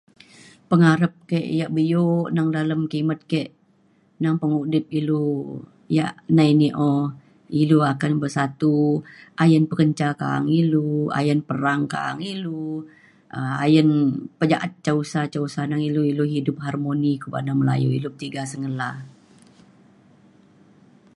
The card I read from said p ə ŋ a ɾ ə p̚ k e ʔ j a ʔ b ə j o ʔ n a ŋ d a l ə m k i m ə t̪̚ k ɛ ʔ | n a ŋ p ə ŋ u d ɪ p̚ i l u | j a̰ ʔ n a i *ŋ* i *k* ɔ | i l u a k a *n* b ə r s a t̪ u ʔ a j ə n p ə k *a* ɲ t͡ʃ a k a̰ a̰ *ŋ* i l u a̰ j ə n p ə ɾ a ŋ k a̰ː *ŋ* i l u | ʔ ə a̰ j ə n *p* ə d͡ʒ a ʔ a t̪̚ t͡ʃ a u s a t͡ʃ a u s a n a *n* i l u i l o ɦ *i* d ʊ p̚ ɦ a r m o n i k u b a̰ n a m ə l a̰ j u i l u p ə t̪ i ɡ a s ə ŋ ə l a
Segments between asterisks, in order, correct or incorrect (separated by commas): incorrect, incorrect, correct, incorrect, correct, correct, correct, incorrect, correct